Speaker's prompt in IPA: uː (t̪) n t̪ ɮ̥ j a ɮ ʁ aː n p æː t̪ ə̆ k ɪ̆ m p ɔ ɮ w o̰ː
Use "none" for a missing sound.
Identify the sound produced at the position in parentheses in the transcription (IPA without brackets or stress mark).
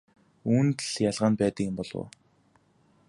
none